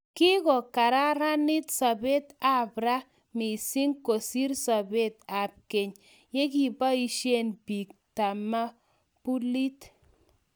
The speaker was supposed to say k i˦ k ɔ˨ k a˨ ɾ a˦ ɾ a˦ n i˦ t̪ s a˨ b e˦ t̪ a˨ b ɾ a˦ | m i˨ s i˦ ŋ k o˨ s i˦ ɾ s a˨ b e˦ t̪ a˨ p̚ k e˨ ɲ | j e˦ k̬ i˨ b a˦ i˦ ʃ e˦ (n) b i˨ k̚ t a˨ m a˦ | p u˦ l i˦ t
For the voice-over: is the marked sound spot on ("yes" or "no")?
yes